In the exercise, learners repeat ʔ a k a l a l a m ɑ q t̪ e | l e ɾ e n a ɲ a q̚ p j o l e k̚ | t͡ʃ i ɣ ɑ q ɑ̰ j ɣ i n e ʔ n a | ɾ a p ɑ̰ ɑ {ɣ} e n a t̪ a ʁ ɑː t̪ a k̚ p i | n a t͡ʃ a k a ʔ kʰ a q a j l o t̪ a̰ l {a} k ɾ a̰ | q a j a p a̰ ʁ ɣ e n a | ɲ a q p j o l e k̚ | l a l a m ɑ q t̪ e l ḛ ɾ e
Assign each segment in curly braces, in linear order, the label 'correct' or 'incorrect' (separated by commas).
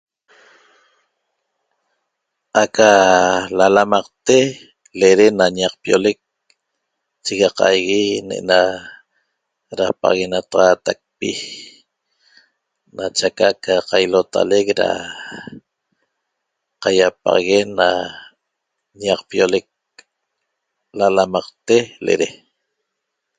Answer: correct, incorrect